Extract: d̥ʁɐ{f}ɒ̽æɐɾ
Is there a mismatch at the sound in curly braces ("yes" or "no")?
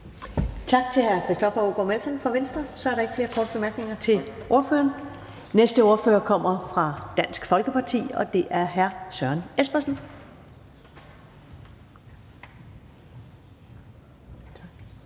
yes